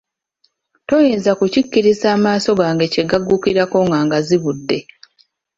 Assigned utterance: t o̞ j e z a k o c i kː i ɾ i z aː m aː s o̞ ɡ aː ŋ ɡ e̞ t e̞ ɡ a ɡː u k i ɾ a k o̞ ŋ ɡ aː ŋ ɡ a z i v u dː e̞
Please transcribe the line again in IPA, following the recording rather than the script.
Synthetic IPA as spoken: t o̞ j e z a k u c i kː i ɾ i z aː m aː s o̞ ɡ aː ŋ ɡ e̞ c e̞ ɡ a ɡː u k i ɾ a k o̞ ŋ ɡ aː ŋ ɡ a z i β u dː e̞